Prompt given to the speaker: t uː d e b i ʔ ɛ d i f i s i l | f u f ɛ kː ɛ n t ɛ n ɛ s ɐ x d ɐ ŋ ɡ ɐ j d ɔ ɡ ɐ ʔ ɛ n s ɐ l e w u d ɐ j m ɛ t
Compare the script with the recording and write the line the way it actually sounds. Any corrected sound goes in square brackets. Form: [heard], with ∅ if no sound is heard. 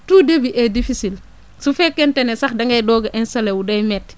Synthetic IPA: t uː d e b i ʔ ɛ d i f i s i l | [s] u f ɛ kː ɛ n t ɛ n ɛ s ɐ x d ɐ ŋ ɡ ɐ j d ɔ ɡ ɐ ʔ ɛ n s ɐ l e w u d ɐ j m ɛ t